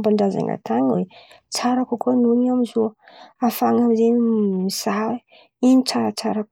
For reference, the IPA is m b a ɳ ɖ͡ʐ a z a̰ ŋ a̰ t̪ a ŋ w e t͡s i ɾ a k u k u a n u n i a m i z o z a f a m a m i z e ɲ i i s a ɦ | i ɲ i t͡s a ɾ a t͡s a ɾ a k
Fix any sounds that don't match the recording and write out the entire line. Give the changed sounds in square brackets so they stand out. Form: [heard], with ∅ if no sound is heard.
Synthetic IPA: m b a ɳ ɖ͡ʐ a z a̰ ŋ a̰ t̪ a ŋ w e t͡s [a] ɾ a k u k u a n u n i a m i z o [∅] a f a [ŋ] a m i z e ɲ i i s a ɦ | i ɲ i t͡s a ɾ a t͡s a ɾ a k